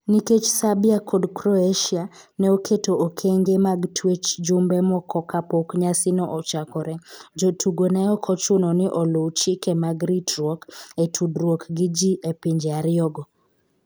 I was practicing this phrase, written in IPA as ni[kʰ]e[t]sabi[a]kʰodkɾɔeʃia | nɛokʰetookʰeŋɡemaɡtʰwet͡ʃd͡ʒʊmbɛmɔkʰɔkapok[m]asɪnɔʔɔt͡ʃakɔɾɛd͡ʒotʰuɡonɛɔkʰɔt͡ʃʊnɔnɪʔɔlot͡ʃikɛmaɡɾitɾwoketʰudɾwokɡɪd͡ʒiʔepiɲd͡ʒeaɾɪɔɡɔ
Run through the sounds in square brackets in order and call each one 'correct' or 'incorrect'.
incorrect: k, incorrect: t͡ʃ, correct, incorrect: ɲ

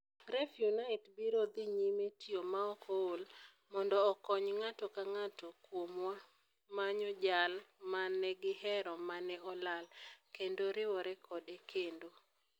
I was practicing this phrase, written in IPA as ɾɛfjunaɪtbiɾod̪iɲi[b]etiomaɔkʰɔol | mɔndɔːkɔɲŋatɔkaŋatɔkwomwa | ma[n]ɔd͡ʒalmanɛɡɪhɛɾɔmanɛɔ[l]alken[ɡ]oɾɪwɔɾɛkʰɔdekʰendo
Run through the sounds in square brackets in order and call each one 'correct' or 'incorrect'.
incorrect: m, incorrect: ɲ, correct, incorrect: d

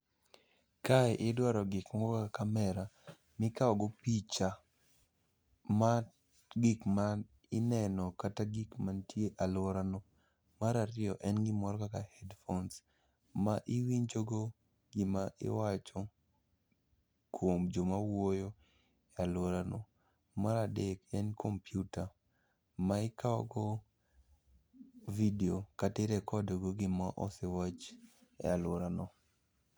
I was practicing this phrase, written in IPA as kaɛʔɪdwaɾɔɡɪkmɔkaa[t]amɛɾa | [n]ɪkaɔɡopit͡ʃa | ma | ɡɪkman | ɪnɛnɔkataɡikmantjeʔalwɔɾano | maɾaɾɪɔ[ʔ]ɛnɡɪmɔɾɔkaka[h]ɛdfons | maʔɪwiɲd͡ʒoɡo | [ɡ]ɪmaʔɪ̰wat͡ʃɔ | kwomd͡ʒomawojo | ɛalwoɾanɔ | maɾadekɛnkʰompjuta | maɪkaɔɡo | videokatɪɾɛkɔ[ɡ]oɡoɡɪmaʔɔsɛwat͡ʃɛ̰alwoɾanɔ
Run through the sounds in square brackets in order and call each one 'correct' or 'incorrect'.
incorrect: k, incorrect: m, correct, correct, correct, incorrect: d

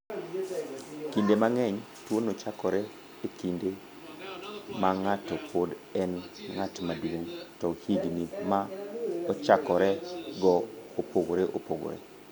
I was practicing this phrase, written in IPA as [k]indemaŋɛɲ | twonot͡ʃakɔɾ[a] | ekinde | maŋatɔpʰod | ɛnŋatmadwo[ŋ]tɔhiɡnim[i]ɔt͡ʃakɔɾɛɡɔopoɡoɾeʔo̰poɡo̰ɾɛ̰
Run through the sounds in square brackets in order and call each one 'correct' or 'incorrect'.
correct, incorrect: ɛ, correct, incorrect: a

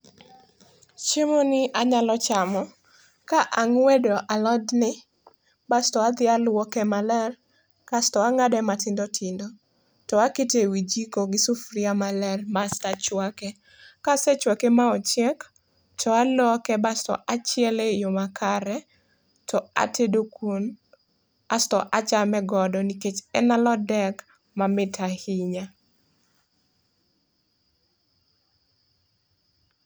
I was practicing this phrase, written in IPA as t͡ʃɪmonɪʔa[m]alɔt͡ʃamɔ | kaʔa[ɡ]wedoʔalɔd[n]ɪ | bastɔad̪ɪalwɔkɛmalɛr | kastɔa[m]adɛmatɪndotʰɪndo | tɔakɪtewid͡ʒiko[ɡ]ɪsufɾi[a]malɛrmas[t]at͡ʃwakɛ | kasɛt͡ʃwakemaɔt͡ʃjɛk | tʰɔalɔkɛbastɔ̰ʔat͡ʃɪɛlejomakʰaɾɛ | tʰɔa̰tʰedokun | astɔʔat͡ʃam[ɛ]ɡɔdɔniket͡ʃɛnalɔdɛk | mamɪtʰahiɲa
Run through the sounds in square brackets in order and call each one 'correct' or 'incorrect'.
incorrect: ɲ, incorrect: ŋ, correct, incorrect: ŋ, correct, correct, correct, correct

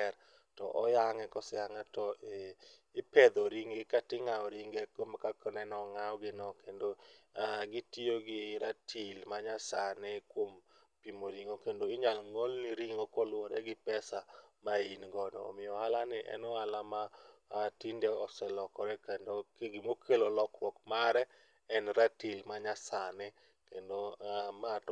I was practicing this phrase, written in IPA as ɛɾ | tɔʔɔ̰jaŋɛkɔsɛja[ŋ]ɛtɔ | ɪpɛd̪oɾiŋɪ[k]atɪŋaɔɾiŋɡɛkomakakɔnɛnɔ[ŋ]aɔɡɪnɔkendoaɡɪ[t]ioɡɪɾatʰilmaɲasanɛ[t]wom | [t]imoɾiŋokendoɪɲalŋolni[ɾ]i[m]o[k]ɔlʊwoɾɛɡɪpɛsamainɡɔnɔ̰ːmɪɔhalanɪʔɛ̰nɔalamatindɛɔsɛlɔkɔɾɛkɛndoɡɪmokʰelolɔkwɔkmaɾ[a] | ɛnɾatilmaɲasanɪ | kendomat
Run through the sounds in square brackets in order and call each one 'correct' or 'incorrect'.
correct, correct, correct, correct, incorrect: k, incorrect: p, correct, incorrect: ŋ, correct, incorrect: ɛ

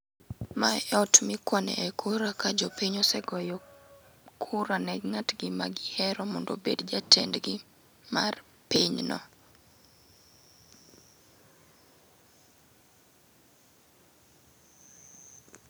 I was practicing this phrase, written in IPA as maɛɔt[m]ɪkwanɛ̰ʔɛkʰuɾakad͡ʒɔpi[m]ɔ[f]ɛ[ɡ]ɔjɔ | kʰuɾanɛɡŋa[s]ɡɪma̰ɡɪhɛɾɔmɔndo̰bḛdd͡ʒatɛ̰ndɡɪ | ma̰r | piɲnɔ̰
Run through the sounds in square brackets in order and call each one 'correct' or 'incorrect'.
correct, incorrect: ɲ, incorrect: s, correct, incorrect: t

